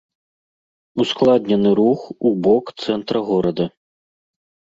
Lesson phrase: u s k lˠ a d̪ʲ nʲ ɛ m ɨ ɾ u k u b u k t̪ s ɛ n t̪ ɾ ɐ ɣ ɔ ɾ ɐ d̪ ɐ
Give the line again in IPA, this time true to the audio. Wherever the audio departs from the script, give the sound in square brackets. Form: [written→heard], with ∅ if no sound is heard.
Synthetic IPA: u s k lˠ a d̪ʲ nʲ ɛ [m→n] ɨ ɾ u [k→x] u b [u→ɔ] k t̪ s ɛ n t̪ ɾ ɐ ɣ ɔ ɾ ɐ d̪ ɐ